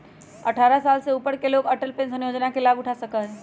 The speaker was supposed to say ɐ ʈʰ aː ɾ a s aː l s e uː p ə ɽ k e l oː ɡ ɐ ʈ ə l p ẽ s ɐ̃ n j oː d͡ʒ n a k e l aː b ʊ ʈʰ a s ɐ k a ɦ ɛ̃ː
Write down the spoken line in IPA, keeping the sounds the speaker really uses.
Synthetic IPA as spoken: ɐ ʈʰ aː ɾ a s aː l s e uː p ə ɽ k e l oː ɡ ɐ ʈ ə l p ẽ s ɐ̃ n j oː d͡ʒ n a k e l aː b ʊ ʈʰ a s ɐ k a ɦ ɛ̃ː

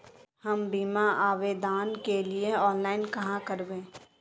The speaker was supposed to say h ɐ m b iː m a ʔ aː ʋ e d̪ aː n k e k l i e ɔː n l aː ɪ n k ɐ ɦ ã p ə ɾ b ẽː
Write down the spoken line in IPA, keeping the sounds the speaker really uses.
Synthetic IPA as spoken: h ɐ m b iː m a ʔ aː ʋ e d̪ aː n k e l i e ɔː n l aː ɪ n k ɐ ɦ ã k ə ɾ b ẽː

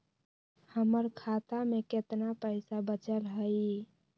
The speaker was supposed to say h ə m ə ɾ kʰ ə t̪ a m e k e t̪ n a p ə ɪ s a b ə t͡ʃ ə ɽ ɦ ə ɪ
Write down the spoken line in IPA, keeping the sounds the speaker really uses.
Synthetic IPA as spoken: h ə m ə ɾ kʰ a t̪ a m e k e t̪ n a p ə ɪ s a b ə t͡ʃ ə l ɦ ə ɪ

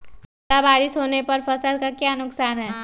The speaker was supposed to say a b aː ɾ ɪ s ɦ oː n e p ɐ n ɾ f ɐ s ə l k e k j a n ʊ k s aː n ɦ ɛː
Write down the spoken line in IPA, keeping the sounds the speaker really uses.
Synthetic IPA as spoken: a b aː ɾ ɪ s ɦ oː n e p ɐ ɾ f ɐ s ə l k a k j a n ʊ k s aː n ɦ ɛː

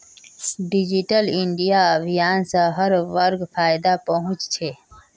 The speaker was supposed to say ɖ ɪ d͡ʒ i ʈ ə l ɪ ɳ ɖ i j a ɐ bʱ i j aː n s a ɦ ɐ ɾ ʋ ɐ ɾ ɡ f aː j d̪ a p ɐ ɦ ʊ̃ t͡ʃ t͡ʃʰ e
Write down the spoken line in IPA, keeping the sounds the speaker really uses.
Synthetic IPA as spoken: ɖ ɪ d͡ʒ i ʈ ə l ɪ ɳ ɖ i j a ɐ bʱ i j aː n s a ɦ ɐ ɾ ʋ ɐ ɾ ɡ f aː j d̪ a p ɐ ɦ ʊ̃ t͡ʃ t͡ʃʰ e

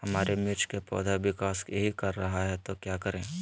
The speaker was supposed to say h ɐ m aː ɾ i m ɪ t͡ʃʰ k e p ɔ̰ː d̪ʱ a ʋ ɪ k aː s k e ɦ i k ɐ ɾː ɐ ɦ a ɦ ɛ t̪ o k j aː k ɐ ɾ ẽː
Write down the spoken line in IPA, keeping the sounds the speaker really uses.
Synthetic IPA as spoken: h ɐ m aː ɾ e m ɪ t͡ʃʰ k e p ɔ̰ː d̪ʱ a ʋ ɪ k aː s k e ɦ i k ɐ ɾː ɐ ɦ a ɦ ɛ t̪ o k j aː k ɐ ɾ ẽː

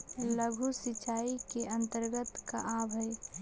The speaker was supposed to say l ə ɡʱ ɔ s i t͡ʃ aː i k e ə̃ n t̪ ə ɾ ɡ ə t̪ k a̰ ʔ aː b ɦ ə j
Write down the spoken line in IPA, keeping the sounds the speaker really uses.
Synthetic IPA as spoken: l ə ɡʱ u s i t͡ʃ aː i k e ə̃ n t̪ ə ɾ ɡ ə t̪ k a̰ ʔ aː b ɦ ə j

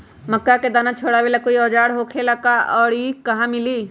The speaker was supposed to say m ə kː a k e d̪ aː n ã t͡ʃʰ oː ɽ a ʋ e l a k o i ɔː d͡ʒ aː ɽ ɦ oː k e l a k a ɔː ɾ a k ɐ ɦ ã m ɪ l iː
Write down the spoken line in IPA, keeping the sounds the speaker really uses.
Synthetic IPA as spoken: m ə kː a k e d̪ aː n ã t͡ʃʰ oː ɽ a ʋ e l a k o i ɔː d͡ʒ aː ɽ ɦ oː kʰ e l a k a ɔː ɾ i k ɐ ɦ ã m ɪ l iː

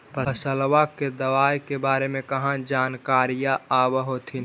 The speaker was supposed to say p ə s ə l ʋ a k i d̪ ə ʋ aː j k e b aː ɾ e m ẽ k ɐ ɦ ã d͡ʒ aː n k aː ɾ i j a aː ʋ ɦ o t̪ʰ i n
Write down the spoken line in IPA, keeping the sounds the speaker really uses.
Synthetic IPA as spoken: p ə s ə l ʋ a k e d̪ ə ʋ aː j k e b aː ɾ e m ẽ k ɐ ɦ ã d͡ʒ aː n k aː ɾ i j a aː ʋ ɦ o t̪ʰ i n

